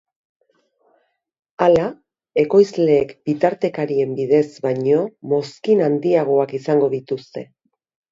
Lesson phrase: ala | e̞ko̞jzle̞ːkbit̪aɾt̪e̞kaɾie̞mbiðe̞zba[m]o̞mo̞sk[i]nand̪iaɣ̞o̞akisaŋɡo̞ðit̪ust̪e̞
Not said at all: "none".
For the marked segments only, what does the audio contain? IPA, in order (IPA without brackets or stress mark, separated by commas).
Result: ɲ, i